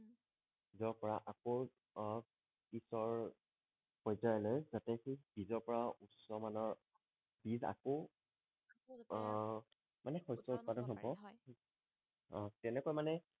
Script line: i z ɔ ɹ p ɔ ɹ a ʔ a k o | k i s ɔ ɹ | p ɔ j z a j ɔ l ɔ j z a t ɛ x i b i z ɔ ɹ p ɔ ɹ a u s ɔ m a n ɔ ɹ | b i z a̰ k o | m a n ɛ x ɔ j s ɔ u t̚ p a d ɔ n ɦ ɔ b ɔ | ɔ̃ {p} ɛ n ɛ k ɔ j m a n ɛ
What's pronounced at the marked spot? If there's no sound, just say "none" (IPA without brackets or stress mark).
t